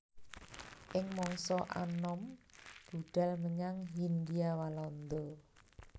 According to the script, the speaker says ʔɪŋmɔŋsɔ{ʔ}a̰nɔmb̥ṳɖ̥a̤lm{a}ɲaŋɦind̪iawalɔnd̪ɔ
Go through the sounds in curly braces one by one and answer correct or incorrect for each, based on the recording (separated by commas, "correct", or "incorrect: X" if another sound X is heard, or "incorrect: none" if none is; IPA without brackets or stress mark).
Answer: correct, incorrect: ə